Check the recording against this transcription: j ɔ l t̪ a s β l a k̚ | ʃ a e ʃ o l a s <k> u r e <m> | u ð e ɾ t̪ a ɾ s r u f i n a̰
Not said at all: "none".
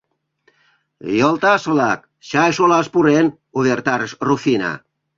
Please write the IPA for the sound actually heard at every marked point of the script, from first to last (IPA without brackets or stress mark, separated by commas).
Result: p, n